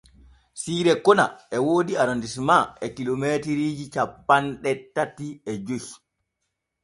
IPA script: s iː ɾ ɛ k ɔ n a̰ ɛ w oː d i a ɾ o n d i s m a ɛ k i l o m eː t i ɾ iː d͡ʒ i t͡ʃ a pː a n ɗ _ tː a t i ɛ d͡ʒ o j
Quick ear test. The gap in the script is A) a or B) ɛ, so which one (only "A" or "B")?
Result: B